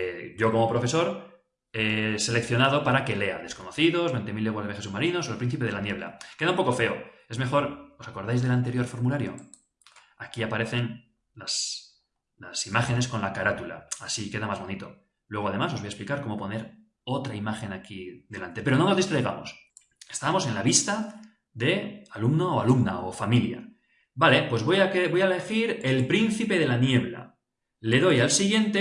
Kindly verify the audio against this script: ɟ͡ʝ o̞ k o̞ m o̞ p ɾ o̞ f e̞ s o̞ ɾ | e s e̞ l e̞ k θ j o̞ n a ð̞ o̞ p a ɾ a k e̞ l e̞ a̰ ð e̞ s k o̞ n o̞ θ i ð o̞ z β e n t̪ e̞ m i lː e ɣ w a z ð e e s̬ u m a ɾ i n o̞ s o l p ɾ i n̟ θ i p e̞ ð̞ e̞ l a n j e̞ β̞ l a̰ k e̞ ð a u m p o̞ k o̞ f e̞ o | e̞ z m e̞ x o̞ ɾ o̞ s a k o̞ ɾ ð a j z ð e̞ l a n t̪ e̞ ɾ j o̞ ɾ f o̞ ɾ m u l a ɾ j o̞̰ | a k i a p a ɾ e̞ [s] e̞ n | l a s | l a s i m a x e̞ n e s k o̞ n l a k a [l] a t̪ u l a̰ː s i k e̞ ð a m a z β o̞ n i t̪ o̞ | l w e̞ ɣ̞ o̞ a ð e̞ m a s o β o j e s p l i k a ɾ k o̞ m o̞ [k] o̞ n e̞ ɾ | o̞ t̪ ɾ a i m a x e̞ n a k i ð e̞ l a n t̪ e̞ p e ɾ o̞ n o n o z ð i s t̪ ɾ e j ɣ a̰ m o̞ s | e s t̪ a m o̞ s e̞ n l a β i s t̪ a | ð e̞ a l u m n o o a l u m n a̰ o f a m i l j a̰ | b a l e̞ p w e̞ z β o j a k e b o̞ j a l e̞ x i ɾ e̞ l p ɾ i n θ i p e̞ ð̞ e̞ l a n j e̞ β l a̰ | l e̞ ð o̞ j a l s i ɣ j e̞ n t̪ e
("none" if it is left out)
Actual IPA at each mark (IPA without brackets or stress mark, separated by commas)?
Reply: θ, ɾ, p